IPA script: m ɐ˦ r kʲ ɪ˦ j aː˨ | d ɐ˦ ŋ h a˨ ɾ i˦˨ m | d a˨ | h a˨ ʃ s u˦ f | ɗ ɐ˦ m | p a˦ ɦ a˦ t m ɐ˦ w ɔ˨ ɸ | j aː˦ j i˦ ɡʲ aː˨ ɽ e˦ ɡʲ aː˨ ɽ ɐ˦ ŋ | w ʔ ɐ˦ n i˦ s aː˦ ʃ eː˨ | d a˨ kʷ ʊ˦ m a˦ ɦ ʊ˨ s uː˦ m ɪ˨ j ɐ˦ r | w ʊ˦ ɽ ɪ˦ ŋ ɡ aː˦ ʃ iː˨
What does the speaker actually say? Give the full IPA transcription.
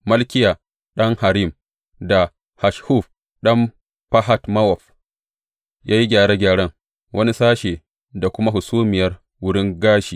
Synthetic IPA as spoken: m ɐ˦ l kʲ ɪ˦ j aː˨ | ɗ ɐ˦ ŋ h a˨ ɾ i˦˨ m | d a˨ | h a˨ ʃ h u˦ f | ɗ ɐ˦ m | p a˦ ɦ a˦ t m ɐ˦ w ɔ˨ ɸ | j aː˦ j i˦ ɡʲ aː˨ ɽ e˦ ɡʲ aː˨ ɽ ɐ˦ ŋ | w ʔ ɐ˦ n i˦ s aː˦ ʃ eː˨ | d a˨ kʷ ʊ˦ m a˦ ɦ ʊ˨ s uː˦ m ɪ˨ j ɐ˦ r | w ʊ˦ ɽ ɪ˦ ŋ ɡ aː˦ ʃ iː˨